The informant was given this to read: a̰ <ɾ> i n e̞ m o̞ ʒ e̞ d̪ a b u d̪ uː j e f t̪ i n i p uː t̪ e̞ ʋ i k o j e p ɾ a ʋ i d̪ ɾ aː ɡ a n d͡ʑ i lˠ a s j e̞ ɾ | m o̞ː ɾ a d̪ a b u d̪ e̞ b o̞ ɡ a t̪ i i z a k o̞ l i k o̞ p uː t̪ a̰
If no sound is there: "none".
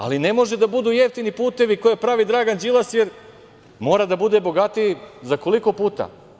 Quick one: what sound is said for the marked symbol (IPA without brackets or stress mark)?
l